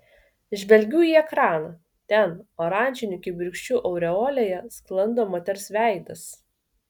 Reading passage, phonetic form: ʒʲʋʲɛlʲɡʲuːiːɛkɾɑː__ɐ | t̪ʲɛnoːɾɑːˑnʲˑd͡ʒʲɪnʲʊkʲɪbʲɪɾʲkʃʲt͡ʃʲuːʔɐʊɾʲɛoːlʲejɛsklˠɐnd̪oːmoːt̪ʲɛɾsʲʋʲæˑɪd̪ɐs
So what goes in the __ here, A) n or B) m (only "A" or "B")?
A